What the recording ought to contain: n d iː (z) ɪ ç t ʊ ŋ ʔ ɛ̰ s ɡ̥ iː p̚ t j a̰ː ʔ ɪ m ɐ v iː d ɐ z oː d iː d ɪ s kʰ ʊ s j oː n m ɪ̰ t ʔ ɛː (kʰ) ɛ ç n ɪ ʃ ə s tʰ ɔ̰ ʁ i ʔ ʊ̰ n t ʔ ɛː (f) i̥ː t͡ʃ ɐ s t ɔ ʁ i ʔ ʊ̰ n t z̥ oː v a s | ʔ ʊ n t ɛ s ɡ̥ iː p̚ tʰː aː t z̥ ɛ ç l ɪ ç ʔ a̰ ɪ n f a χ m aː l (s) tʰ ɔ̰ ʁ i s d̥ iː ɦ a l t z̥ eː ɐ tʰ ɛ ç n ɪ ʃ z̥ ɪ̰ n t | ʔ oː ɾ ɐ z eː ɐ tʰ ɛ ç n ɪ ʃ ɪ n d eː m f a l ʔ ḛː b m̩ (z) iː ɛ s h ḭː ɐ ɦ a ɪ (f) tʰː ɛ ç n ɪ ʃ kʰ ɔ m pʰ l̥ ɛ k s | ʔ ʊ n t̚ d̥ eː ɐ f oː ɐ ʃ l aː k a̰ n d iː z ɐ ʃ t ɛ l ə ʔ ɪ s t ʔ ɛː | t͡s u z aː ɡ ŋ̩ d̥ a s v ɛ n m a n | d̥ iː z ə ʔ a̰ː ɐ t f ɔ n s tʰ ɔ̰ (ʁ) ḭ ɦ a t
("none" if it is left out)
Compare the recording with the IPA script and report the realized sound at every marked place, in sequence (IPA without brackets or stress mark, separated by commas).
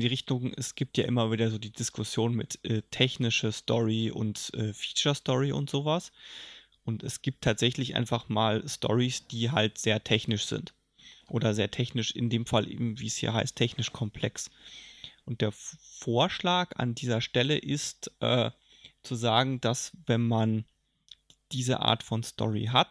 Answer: ʁ, tʰ, f, s, v, s, ʁ